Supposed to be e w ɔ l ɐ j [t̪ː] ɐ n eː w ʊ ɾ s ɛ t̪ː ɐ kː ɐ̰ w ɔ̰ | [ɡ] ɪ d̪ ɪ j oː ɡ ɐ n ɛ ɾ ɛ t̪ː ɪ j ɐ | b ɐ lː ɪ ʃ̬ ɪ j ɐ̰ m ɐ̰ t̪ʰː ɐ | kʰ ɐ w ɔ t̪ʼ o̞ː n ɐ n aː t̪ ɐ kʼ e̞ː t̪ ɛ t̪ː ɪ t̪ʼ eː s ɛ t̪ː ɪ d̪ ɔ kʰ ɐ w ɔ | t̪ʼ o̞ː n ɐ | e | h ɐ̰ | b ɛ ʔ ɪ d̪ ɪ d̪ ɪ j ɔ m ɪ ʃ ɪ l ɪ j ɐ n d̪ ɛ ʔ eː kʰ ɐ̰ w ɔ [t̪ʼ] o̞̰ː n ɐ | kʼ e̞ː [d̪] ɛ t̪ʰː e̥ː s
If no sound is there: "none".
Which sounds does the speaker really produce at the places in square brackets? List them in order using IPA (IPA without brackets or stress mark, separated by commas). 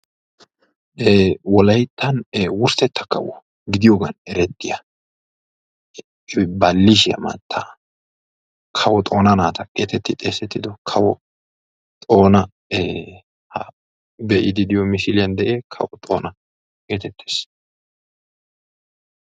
t̪ː, ɡ, t̪ʼ, t̪